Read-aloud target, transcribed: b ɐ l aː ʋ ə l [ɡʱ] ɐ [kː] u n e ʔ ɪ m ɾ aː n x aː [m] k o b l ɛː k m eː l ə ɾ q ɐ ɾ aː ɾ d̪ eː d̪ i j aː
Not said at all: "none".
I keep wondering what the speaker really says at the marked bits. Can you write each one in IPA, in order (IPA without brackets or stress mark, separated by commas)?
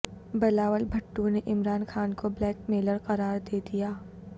bʱ, ʈː, n